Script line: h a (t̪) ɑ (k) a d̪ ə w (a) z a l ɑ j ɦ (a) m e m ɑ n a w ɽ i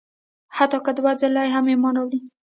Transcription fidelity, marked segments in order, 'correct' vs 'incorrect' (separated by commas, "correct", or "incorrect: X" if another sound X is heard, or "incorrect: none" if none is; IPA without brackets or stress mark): correct, correct, correct, correct